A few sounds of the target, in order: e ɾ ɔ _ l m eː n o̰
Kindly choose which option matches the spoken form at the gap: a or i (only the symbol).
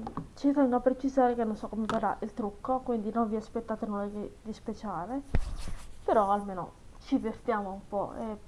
a